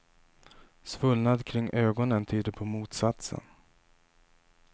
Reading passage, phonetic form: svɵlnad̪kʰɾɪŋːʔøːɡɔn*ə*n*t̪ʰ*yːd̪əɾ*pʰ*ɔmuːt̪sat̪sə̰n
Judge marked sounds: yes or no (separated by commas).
yes, yes, yes